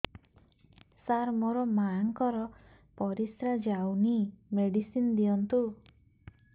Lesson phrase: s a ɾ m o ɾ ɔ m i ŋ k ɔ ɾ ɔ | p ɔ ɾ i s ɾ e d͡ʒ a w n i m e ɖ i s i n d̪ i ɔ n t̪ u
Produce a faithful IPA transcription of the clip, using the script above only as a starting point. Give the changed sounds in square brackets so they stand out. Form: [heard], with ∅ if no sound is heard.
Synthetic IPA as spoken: s a ɾ m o ɾ ɔ m [a] ŋ k ɔ ɾ ɔ | p ɔ ɾ i s ɾ [a] d͡ʒ a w n i m e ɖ i s i n d̪ i ɔ n t̪ u